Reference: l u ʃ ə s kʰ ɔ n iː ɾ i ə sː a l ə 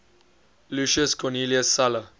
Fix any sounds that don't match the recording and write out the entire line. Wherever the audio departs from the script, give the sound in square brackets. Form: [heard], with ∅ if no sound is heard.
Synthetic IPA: l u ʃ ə s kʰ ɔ n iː [l] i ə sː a l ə